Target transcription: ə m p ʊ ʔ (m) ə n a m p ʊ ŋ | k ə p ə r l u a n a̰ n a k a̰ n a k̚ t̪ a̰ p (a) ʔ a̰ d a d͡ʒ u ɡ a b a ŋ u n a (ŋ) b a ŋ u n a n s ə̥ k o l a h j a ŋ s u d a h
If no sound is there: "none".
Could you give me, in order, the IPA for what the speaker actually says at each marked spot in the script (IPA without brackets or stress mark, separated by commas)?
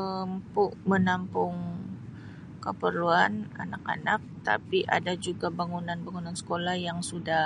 m, i, n